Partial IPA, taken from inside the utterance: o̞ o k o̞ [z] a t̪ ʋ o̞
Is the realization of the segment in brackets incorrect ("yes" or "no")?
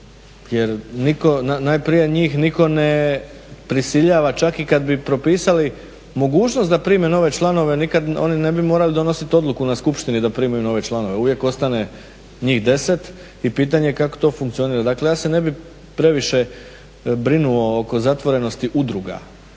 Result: no